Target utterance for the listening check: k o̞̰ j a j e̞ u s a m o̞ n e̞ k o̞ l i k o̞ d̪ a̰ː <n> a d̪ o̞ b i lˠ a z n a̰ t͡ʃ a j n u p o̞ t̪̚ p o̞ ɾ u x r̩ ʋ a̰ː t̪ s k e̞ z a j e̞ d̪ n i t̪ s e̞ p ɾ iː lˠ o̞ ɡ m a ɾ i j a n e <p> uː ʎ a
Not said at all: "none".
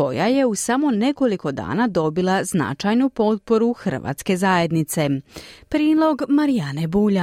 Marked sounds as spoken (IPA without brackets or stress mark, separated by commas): n, b